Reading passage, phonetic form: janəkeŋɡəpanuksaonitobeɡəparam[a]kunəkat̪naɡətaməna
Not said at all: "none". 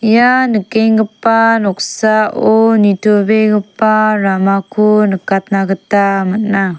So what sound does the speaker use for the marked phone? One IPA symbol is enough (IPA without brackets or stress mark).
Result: a